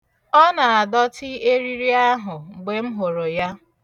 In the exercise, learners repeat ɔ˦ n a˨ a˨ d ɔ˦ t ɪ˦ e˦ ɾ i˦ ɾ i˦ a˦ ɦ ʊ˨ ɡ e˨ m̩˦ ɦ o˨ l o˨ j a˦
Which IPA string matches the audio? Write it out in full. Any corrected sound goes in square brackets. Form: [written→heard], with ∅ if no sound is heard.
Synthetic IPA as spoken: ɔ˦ n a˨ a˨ d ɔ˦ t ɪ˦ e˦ ɾ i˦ ɾ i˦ a˦ ɦ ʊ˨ [ɡ→ɡ͡b] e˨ m̩˦ ɦ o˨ [l→ɾ] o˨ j a˦

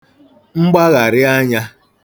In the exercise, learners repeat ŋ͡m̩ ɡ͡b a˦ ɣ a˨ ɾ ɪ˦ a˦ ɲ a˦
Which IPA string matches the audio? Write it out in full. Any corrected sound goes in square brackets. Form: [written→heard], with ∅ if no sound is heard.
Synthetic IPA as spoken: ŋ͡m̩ ɡ͡b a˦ ɣ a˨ ɾ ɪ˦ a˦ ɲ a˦

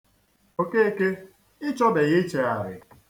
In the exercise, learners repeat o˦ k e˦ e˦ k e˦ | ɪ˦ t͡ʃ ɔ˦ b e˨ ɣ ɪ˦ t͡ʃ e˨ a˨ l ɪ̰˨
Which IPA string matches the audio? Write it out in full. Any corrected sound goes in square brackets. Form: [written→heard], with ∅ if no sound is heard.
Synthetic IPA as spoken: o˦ k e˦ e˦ k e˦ | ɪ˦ t͡ʃ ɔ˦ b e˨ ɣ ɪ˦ t͡ʃ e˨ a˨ [l→ɾ] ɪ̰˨

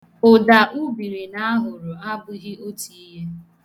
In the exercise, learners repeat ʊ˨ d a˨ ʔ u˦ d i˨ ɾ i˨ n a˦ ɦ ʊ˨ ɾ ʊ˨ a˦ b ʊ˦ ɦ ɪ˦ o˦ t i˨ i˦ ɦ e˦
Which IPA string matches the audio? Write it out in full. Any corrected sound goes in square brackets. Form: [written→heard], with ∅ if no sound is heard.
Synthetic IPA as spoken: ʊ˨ d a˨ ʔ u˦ [d→b] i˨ ɾ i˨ n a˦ ɦ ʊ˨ ɾ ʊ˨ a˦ b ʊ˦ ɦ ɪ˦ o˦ t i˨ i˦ ɦ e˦

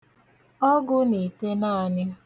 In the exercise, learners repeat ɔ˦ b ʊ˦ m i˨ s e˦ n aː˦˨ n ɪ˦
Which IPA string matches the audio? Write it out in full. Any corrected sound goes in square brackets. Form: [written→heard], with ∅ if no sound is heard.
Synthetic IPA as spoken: ɔ˦ [b→ɡ] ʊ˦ [m→n] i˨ [s→t] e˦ n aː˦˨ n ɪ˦

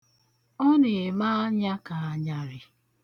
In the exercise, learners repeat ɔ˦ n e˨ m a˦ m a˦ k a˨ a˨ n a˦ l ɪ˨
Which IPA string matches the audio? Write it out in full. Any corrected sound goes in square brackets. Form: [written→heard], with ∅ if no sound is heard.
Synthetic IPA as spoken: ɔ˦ n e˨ m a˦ [m→ɲ] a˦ k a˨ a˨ [n→ɲ] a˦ [l→ɾ] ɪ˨

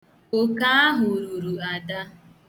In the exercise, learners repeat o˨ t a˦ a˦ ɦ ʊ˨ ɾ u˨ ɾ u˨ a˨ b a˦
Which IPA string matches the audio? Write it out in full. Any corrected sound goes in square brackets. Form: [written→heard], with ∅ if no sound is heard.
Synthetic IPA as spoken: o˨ [t→k] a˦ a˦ ɦ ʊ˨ ɾ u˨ ɾ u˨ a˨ [b→d] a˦

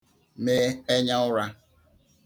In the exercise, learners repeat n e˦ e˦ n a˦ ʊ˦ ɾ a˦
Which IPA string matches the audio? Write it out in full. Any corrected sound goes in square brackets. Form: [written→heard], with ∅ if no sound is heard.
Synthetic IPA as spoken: [n→m] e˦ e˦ [n→ɲ] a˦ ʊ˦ ɾ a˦

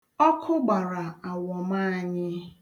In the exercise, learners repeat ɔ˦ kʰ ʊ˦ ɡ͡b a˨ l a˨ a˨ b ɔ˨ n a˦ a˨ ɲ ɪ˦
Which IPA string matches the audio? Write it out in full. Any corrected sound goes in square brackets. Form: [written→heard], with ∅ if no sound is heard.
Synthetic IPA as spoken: ɔ˦ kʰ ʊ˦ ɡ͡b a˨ [l→ɾ] a˨ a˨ [b→w] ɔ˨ [n→m] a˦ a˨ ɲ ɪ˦

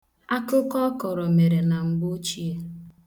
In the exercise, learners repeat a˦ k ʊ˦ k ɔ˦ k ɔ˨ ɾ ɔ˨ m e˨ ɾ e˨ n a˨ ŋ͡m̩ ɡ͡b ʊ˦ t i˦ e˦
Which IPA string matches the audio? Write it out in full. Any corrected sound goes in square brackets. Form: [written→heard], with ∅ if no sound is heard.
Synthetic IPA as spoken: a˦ k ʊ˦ k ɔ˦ k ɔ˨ ɾ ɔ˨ m e˨ ɾ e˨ n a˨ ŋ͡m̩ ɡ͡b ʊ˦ [t→t͡ʃ] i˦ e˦

